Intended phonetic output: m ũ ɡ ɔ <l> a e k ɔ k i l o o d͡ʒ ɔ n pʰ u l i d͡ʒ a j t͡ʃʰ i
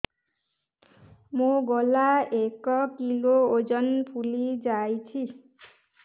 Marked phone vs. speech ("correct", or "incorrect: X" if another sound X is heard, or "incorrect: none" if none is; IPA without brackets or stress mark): correct